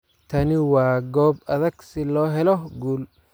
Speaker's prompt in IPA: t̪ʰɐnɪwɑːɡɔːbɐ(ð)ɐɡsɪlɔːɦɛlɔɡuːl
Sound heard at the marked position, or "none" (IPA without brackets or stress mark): ð